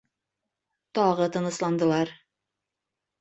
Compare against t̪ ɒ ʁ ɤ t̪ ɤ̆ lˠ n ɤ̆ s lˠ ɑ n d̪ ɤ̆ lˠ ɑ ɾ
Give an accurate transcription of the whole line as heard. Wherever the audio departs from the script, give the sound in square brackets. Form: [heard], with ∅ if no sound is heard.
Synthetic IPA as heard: t̪ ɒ ʁ ɤ t̪ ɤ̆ [∅] n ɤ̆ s lˠ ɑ n d̪ ɤ̆ lˠ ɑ ɾ